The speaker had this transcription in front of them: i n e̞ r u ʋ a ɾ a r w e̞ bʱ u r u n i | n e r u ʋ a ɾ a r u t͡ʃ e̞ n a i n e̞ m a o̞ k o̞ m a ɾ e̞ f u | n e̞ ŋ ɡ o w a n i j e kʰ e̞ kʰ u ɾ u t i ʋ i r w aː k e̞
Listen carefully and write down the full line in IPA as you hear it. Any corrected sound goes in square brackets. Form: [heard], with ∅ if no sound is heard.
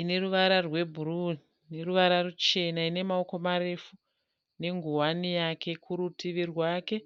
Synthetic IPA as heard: i n e̞ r u ʋ a ɾ a r w e̞ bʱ u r u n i | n e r u ʋ a ɾ a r u t͡ʃ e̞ n a i n e̞ m a o̞ k o̞ m a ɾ e̞ f u | n e̞ ŋ ɡ [u] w a n i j [a] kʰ e̞ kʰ u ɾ u t i ʋ i r w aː k e̞

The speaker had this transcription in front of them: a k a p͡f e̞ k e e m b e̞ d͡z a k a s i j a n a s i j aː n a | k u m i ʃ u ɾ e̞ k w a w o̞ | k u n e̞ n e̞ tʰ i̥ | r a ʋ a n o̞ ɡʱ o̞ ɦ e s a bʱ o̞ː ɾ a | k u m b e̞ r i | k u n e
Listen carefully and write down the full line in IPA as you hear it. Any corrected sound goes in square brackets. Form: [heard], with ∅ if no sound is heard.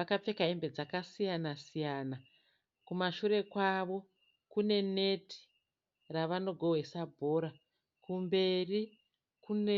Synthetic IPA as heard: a k a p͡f e̞ k [a] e m b e̞ d͡z a k a s i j a n a s i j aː n a | k u m [a] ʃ u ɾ e̞ k w a [ʋ] o̞ | k u n e̞ n e̞ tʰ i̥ | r a ʋ a n o̞ ɡʱ o̞ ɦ e s a bʱ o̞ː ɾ a | k u m b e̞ r i | k u n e

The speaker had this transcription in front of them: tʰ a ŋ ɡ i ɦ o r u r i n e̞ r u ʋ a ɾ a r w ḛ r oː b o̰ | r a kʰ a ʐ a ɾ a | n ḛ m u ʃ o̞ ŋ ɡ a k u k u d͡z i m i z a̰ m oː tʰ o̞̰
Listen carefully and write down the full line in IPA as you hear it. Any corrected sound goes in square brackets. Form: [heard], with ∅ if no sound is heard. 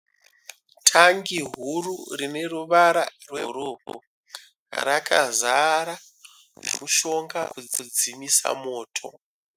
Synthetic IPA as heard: tʰ a ŋ ɡ i ɦ [u] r u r i n e̞ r u ʋ a ɾ a r w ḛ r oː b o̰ | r a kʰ a [z] a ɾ a | n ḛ m u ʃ o̞ ŋ ɡ a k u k u d͡z i m i [s] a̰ m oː tʰ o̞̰

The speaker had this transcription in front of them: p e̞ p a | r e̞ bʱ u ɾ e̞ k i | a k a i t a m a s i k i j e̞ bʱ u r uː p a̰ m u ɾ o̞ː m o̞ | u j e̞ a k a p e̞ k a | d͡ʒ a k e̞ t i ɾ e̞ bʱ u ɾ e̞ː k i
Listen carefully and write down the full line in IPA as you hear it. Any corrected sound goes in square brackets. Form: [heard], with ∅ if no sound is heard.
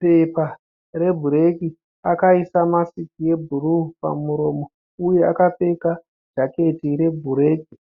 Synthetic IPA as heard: p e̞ p a | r e̞ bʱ u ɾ e̞ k i | a k a i [s] a m a s i k i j e̞ bʱ u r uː p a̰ m u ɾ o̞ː m o̞ | u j e̞ a k a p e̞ k a | d͡ʒ a k e̞ t i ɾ e̞ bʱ u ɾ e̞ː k i

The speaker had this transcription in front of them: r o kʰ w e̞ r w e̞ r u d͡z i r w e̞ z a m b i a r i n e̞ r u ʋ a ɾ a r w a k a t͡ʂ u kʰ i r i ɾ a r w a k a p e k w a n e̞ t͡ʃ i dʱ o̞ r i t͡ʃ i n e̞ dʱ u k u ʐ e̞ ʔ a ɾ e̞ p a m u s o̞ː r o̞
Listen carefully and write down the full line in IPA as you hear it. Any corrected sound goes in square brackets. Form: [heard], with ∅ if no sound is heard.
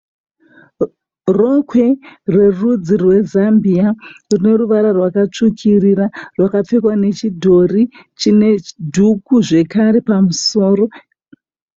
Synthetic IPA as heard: r o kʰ w e̞ r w e̞ r u d͡z i r w e̞ z a m b i a r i n e̞ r u ʋ a ɾ a r w a k a t͡ʂ u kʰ i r i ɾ a r w a k a [p͡f] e k w a n e̞ t͡ʃ i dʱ o̞ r i t͡ʃ i n e̞ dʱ u k u ʐ e̞ [k] a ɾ e̞ p a m u s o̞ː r o̞

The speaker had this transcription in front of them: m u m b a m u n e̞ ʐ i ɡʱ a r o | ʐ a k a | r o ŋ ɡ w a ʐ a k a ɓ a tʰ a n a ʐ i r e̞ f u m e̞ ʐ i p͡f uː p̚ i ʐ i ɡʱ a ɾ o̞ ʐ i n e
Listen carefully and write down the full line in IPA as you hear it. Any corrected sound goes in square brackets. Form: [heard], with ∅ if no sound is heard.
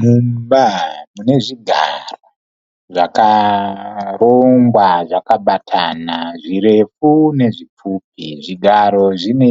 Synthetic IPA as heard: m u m b a m u n e̞ ʐ i ɡʱ a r o | ʐ a k a | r o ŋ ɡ w a ʐ a k a ɓ a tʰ a n a ʐ i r e̞ f u [n] e̞ ʐ i p͡f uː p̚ i ʐ i ɡʱ a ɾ o̞ ʐ i n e

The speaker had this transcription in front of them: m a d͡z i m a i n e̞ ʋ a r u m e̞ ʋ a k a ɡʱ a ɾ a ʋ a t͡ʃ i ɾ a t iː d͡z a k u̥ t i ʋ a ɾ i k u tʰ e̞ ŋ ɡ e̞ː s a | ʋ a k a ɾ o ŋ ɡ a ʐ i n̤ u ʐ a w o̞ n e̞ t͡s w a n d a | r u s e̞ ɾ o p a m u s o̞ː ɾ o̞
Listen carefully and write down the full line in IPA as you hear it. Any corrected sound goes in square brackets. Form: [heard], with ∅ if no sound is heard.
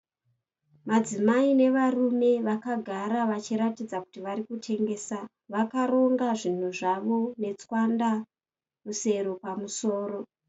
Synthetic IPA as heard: m a d͡z i m a i n e̞ ʋ a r u m e̞ ʋ a k a ɡʱ a ɾ a ʋ a t͡ʃ i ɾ a t [i] d͡z a k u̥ t i ʋ a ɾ i k u tʰ e̞ ŋ ɡ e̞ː s a | ʋ a k a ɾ o ŋ ɡ a ʐ i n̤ u ʐ a [ʋ] o̞ n e̞ t͡s w a n d a | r u s e̞ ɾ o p a m u s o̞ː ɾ o̞

